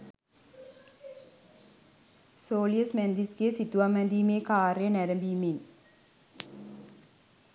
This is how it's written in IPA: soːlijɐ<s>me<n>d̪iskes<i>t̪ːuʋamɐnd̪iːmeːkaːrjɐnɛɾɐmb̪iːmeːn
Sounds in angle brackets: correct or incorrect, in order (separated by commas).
correct, correct, correct